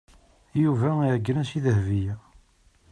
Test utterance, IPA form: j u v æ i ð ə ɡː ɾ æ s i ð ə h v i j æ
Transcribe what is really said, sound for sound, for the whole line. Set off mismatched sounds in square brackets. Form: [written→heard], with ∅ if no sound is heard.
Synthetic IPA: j u v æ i [ð→ʕ] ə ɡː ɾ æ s i ð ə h v i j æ